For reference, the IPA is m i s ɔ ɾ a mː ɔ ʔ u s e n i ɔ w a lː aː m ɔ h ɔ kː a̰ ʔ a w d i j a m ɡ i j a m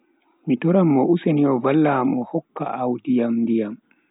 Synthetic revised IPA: m i t ɔ ɾ a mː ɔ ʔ u s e n i ɔ v a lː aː m ɔ h ɔ kː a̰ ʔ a w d i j a m d i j a m